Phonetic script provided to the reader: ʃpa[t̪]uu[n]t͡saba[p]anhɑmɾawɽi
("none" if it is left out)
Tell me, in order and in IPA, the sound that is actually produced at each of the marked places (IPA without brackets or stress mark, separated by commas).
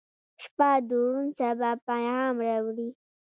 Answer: d̪, n, p